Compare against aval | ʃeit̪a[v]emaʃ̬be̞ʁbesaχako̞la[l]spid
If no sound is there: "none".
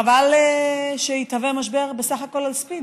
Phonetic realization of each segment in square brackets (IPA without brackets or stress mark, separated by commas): v, l